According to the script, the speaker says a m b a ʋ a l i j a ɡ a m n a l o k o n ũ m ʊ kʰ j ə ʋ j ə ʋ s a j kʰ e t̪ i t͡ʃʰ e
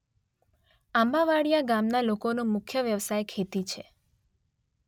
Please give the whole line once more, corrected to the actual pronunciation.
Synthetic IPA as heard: a m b a ʋ a ɽ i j a ɡ a m n a l o k o n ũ m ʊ kʰ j ə ʋ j ə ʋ s a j kʰ e t̪ i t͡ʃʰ e